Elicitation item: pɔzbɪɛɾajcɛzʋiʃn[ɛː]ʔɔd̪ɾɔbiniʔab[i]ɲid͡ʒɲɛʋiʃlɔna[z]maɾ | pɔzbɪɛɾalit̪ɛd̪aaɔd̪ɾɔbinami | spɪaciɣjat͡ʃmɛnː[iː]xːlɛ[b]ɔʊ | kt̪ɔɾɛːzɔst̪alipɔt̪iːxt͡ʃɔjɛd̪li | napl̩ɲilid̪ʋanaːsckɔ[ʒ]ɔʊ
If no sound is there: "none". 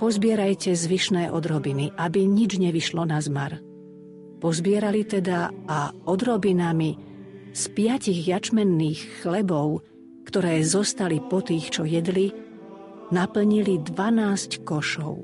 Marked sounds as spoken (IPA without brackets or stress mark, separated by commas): ɛː, i, z, iː, b, ʃ